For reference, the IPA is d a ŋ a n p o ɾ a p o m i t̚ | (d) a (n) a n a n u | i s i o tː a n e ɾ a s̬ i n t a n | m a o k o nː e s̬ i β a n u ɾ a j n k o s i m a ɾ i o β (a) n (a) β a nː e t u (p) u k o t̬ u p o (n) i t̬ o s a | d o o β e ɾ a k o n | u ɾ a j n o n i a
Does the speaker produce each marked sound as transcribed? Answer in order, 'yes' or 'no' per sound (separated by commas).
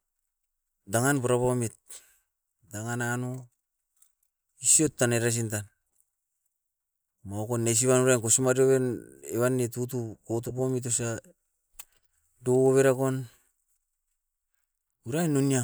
yes, no, no, no, no, no